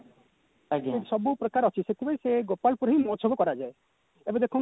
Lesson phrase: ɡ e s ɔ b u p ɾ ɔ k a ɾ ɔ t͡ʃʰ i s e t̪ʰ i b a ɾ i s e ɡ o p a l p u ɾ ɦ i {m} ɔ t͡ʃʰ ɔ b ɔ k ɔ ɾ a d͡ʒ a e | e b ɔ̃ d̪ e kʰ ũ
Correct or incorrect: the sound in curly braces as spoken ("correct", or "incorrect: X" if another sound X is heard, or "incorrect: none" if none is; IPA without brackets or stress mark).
correct